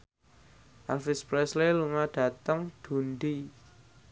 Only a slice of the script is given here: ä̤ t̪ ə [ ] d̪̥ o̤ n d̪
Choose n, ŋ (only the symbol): ŋ